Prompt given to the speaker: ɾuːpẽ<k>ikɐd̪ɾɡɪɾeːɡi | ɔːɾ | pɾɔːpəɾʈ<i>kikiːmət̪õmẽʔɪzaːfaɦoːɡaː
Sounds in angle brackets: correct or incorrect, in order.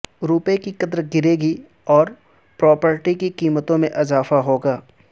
correct, correct

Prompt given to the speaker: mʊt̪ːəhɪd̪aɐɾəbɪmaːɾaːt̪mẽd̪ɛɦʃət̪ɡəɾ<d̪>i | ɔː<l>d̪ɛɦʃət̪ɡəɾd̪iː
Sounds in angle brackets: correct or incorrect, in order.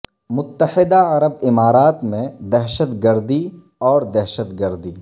correct, incorrect: ɾ

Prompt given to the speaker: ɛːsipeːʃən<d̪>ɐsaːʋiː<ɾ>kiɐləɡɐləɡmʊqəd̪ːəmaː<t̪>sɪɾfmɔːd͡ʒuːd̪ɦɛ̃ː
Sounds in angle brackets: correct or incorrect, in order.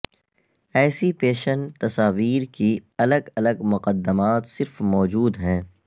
incorrect: t̪, correct, correct

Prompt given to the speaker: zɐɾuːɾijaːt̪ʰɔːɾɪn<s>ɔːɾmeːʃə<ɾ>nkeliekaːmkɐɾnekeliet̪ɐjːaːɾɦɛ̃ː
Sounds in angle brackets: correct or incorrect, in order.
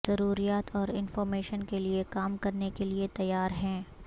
incorrect: f, incorrect: none

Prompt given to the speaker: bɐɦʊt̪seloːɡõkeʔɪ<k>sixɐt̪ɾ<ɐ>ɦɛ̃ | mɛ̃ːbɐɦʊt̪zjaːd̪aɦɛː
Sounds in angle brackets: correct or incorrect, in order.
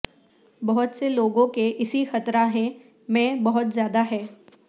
incorrect: none, incorrect: a

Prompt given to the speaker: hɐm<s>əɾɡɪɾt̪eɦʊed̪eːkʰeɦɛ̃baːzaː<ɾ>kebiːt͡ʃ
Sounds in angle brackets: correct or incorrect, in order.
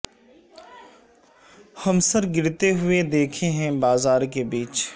correct, correct

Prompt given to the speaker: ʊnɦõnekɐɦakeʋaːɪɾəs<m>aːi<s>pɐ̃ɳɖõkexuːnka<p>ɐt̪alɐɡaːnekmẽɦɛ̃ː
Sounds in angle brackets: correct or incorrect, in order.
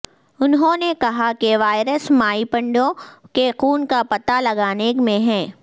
correct, incorrect: none, correct

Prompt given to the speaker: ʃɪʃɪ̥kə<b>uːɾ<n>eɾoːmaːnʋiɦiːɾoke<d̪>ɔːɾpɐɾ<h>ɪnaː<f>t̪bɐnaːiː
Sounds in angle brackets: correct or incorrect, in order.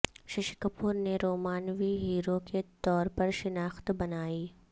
incorrect: p, correct, incorrect: t̪, incorrect: ʃ, incorrect: x

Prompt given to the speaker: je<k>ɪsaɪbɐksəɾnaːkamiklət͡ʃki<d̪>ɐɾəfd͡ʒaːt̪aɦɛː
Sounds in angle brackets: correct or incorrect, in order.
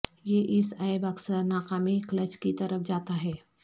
incorrect: ʔ, incorrect: t̪

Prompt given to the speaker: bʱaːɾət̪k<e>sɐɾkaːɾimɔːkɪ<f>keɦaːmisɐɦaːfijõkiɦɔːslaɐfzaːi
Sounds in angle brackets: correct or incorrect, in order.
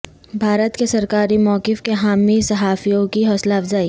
correct, correct

